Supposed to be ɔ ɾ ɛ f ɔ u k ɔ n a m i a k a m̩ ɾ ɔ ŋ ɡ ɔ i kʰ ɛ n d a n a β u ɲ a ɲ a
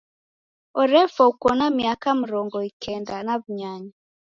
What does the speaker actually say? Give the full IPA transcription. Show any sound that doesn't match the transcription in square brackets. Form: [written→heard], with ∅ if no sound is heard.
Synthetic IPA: ɔ ɾ ɛ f ɔ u k ɔ n a m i a k a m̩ ɾ ɔ ŋ ɡ ɔ i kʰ ɛ n d a n a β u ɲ a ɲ a